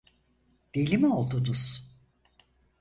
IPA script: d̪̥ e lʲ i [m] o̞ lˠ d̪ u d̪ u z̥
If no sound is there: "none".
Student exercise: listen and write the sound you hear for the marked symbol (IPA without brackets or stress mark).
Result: m